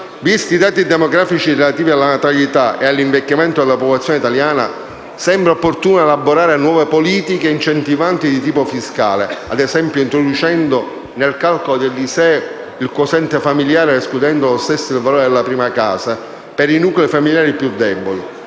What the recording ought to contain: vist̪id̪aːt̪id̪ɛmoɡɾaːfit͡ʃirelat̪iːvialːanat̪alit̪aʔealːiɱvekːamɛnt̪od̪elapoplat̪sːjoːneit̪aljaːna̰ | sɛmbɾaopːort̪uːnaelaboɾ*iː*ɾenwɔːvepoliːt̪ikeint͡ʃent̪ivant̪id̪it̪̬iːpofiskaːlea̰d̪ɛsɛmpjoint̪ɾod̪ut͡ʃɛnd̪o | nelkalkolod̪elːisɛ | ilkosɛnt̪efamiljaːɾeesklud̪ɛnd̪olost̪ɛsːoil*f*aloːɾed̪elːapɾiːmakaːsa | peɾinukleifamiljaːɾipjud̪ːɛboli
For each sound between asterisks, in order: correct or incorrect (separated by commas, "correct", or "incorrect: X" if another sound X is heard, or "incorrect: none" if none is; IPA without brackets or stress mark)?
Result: incorrect: aː, incorrect: v